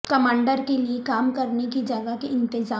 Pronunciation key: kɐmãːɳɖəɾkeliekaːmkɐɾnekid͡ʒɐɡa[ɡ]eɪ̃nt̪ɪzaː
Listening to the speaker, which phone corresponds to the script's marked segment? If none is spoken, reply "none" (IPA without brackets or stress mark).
k